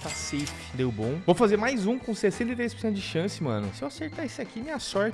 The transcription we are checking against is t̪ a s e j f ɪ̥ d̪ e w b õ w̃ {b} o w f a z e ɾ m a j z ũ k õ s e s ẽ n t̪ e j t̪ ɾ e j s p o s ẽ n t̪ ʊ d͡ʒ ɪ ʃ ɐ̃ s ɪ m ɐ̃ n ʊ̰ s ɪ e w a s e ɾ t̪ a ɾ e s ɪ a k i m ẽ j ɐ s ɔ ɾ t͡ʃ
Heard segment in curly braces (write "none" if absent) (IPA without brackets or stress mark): v